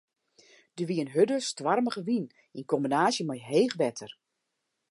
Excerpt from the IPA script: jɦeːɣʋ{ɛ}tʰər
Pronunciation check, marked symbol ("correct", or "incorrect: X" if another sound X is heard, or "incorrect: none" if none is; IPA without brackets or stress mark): correct